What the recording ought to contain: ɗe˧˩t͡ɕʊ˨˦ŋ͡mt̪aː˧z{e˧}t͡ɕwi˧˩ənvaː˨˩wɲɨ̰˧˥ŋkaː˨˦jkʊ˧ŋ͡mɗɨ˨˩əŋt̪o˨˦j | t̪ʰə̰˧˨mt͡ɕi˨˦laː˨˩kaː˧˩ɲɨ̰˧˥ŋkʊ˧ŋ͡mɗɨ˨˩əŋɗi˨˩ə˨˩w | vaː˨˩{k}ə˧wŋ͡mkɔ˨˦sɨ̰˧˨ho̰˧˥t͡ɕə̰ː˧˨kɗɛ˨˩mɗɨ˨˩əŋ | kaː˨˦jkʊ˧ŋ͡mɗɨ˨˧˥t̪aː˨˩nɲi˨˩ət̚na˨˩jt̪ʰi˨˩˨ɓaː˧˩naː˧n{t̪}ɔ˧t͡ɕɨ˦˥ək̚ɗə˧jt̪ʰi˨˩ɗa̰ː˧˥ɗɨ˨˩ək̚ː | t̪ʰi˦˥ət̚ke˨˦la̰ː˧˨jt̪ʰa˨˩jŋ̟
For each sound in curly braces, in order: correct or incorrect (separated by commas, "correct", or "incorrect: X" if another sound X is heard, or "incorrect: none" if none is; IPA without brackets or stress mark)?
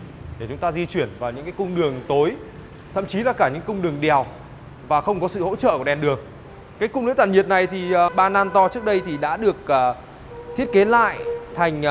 incorrect: i˧, incorrect: x, correct